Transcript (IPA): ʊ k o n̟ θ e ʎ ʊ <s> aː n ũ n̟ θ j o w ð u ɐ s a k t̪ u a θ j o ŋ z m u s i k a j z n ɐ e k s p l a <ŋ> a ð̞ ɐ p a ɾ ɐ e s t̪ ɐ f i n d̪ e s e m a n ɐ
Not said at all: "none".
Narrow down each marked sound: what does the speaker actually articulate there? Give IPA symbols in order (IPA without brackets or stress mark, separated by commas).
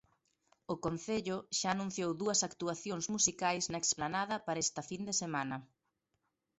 ʃ, n